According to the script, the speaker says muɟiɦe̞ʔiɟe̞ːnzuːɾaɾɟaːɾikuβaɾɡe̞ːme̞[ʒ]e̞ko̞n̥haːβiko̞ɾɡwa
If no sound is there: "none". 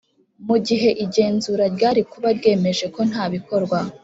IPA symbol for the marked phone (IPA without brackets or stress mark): ʒ